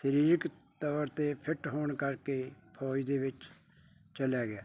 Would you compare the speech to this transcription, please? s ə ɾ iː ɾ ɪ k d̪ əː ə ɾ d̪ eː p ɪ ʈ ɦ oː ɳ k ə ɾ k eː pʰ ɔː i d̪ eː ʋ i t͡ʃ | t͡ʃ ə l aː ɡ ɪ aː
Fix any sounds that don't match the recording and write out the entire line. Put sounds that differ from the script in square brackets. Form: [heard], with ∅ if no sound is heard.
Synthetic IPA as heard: s ə ɾ iː ɾ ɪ k [t̪] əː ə ɾ [t̪] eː [pʰ] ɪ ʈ ɦ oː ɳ k ə ɾ k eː pʰ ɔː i d̪ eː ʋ [ɪ] t͡ʃ | t͡ʃ ə l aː ɡ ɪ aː